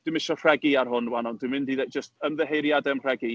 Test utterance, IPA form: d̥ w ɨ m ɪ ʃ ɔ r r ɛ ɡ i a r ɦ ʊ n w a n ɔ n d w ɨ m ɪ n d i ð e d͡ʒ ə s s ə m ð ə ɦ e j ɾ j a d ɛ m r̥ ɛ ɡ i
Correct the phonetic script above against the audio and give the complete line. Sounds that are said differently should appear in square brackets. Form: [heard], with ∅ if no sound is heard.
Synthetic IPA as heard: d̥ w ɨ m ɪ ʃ ɔ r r ɛ ɡ i a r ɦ ʊ n w a n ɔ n d w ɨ m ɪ n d i ð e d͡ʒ ə s [t] ə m ð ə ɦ e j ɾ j a d ɛ m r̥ ɛ ɡ i

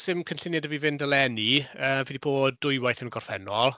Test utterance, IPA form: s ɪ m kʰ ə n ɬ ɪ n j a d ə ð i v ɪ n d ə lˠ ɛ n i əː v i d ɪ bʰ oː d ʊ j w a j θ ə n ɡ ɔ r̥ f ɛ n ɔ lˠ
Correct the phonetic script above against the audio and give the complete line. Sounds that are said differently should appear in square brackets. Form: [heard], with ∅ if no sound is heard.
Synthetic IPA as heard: s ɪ m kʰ ə n ɬ ɪ n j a d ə [v] i v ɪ n d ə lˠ ɛ n i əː v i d [i] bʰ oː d ʊ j w a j θ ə n ɡ ɔ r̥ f ɛ n ɔ lˠ

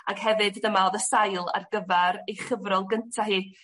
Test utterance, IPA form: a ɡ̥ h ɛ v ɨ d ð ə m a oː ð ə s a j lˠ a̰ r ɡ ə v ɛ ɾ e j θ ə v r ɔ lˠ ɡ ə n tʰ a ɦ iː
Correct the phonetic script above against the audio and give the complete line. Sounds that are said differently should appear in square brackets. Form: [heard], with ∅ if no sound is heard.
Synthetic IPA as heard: a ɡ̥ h ɛ v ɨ d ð ə m a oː ð ə s a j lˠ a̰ r ɡ ə v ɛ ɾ e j [χ] ə v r ɔ lˠ ɡ ə n tʰ a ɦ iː

